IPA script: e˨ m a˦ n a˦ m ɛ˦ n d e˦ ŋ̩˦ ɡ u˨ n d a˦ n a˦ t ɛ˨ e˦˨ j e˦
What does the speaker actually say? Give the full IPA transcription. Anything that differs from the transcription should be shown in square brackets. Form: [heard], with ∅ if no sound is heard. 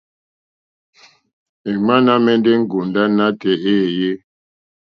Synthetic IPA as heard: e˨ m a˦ n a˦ m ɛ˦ n d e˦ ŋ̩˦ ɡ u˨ n d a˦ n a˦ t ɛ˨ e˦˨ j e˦